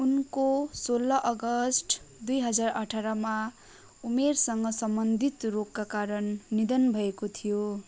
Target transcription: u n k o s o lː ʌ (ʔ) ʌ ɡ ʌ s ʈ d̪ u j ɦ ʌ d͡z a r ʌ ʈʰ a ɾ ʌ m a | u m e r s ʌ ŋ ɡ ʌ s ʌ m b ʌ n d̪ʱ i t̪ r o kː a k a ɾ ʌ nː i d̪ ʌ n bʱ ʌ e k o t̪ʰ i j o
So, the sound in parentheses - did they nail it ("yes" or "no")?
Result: yes